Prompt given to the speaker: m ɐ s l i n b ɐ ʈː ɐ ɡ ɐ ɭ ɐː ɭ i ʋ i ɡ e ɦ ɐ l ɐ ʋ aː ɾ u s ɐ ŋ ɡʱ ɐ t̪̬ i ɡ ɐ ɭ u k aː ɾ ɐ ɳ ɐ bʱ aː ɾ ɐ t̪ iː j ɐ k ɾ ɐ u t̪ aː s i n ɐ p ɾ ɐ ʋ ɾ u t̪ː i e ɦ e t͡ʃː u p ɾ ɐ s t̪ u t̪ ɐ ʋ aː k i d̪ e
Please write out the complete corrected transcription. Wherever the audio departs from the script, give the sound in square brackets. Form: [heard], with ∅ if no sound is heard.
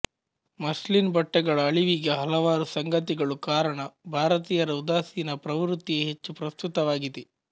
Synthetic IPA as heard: m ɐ s l i n b ɐ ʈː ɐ ɡ ɐ ɭ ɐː ɭ i ʋ i ɡ e ɦ ɐ l ɐ ʋ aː ɾ u s ɐ ŋ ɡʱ ɐ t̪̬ i ɡ ɐ ɭ u k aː ɾ ɐ ɳ ɐ bʱ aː ɾ ɐ t̪ iː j ɐ [∅] ɾ ɐ u [d̪] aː s i n ɐ p ɾ ɐ ʋ ɾ u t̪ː i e ɦ e t͡ʃː u p ɾ ɐ s t̪ u t̪ ɐ ʋ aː [ɡ] i d̪ e